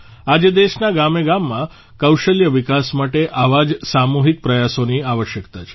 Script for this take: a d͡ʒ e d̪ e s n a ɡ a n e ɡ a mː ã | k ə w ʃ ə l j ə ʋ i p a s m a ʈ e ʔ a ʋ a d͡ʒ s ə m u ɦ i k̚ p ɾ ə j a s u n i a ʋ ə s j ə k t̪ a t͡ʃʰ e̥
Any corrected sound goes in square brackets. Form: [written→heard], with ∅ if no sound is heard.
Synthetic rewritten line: a d͡ʒ e d̪ e [s→ʃ] n a ɡ a [n→m] e ɡ a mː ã | k ə w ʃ ə l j ə ʋ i [p→k] a s m a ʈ e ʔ a ʋ a d͡ʒ s [ə→a] m u ɦ i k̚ p ɾ ə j a s [u→o] n i a ʋ ə [s→ʃ] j ə k t̪ a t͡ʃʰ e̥